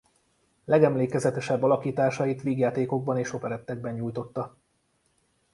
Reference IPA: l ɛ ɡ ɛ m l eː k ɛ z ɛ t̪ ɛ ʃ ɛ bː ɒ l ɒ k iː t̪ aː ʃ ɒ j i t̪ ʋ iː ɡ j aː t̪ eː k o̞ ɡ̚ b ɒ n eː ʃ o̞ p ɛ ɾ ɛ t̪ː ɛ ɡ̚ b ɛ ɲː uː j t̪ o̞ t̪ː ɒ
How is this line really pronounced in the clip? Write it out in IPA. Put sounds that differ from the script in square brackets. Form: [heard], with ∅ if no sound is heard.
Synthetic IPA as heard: l ɛ ɡ ɛ m l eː k ɛ z ɛ t̪ ɛ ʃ ɛ bː ɒ l ɒ k iː t̪ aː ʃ ɒ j i t̪ ʋ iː ɡ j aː t̪ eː k o̞ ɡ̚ b ɒ n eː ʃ o̞ p ɛ ɾ ɛ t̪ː ɛ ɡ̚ b ɛ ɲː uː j t̪ o̞ t̪ː ɒ

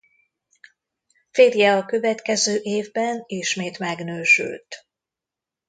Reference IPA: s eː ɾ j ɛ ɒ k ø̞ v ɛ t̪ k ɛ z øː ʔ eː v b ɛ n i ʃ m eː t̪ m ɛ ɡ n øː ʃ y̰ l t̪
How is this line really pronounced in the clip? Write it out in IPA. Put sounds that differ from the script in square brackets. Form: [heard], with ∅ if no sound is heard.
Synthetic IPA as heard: [f] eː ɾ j ɛ ɒ k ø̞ v ɛ t̪ k ɛ z øː ʔ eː v b ɛ n i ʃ m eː t̪ m ɛ ɡ n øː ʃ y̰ l t̪

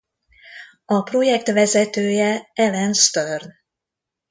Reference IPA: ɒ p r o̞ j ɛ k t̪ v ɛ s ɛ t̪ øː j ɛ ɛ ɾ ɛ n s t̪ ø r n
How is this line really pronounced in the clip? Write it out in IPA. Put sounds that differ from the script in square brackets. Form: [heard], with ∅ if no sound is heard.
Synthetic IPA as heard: ɒ p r o̞ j ɛ k t̪ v ɛ [z] ɛ t̪ øː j ɛ ɛ [l] ɛ n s t̪ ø r n

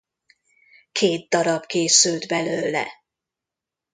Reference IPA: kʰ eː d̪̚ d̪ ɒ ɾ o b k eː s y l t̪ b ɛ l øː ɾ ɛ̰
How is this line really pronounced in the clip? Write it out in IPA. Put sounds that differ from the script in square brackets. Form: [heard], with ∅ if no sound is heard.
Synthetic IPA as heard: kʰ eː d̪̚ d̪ ɒ ɾ [ɒ] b k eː s y l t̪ b ɛ l øː [l] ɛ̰

